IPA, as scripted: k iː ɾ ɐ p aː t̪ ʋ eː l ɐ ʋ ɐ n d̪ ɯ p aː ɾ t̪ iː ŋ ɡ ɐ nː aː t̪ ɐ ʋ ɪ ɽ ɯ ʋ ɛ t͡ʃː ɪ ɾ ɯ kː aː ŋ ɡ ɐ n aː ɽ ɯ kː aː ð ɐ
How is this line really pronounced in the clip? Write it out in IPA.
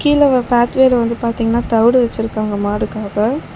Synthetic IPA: k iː l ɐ p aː t̪ ʋ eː l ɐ ʋ ɐ n d̪ ɯ p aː ɾ t̪ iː ŋ ɡ ɐ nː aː t̪ ɐ ʋ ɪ ɽ ɯ ʋ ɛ t͡ʃː ɪ ɾ ɯ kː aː ŋ ɡ ɐ m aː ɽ ɯ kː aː ɣ ɐ